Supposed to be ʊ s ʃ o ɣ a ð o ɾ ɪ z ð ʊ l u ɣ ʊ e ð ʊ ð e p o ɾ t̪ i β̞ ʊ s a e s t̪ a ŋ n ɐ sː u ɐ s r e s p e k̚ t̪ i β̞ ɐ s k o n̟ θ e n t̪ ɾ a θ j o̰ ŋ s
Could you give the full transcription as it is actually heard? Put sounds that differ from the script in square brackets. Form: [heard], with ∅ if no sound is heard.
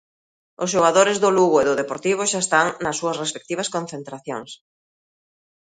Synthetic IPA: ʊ s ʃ o ɣ a ð o ɾ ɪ z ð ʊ l u ɣ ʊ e ð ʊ ð e p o ɾ t̪ i β̞ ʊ [ʃ] a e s t̪ a ŋ n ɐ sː u ɐ s r e s p e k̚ t̪ i β̞ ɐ s k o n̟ θ e n t̪ ɾ a θ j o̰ ŋ s